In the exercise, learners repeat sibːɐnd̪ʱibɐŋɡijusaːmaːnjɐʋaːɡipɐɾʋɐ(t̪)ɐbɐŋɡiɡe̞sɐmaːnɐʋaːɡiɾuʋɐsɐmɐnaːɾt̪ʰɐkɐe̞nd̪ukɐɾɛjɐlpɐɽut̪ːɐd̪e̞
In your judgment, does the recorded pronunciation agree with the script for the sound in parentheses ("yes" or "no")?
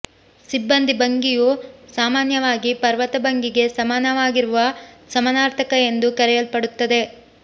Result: yes